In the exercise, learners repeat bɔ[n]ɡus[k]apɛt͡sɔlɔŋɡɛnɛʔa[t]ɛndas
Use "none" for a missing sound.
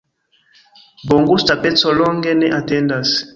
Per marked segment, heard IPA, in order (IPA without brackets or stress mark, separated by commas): ŋ, t, t